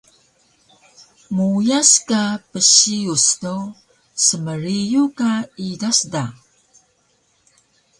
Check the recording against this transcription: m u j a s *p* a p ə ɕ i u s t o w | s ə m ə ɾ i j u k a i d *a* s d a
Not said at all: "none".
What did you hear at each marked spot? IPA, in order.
k, a

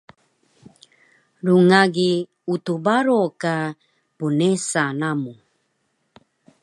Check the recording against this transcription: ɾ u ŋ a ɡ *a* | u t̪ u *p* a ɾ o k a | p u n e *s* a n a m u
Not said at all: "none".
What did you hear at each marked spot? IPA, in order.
i, b, s

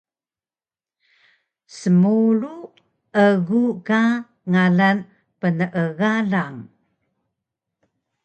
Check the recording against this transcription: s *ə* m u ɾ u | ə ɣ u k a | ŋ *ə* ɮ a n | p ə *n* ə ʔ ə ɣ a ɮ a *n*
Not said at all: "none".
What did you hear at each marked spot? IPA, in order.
ə, a, n, ŋ

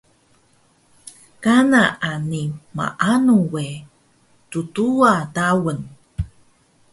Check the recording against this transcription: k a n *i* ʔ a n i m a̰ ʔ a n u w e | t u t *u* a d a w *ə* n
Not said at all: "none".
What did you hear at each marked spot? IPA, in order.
a, u, ə

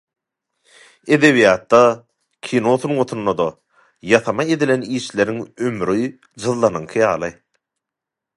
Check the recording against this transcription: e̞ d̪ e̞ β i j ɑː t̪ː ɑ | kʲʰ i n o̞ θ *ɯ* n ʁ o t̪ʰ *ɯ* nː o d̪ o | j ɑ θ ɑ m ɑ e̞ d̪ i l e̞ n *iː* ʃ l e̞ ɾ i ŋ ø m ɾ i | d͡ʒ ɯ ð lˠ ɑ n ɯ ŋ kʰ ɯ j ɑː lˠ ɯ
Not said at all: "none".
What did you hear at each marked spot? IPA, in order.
u, u, iː

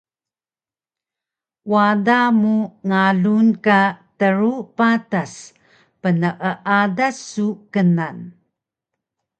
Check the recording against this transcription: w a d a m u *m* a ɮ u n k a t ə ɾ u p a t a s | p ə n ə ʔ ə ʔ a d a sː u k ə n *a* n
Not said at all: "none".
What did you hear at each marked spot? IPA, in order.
ŋ, a

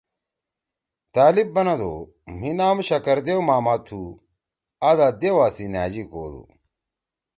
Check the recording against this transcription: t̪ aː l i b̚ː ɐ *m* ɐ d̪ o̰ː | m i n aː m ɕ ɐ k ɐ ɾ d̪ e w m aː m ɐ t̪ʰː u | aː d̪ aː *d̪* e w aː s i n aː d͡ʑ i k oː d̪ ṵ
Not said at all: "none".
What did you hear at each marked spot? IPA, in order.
n, d̪

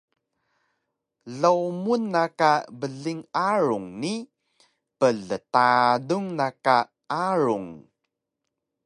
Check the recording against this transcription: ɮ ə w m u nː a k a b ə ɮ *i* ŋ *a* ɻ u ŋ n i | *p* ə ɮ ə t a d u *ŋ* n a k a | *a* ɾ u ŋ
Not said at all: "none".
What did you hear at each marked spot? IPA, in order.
i, a, p, ŋ, a

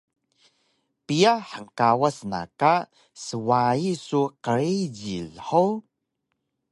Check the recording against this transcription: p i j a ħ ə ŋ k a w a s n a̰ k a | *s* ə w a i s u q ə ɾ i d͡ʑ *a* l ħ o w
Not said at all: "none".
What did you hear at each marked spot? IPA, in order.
s, i

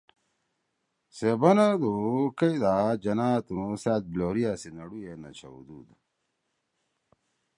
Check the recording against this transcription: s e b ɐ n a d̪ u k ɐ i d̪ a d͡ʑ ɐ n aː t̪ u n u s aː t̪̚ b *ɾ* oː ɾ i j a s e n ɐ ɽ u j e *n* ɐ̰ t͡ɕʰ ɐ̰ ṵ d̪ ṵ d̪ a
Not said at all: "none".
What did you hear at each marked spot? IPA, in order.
l, n

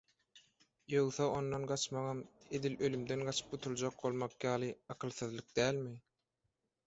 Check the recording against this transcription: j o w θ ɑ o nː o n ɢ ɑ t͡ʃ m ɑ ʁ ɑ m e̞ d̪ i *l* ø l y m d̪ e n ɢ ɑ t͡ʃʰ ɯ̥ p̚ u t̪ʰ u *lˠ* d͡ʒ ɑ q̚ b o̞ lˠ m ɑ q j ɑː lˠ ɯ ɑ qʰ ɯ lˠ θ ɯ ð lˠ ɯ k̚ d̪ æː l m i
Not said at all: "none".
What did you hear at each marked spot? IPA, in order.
l, lˠ

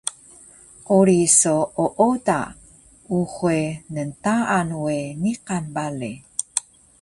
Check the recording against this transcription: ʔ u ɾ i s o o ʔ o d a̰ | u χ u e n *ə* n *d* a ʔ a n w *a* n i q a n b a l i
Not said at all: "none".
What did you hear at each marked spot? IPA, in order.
ə, t, e

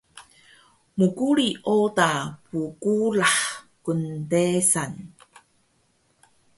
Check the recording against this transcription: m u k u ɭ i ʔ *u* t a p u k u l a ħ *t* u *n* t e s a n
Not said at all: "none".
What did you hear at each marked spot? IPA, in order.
o, k, n

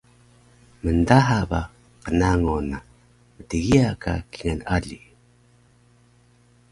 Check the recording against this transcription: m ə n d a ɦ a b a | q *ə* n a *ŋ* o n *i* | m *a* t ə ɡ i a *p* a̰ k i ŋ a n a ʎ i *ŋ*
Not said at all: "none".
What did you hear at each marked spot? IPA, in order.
ə, ŋ, a, ə, k, none

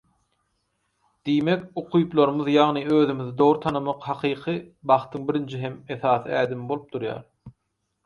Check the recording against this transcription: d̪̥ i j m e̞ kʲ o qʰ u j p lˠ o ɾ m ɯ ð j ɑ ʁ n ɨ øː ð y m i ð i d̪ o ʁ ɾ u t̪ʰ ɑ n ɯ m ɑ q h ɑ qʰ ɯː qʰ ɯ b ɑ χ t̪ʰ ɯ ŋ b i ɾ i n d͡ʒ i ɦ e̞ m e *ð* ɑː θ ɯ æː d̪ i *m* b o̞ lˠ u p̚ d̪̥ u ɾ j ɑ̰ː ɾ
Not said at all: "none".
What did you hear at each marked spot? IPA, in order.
θ, m

